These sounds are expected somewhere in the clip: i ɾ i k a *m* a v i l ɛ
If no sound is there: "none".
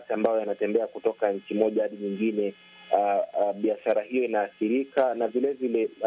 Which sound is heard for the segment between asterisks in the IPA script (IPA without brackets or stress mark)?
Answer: n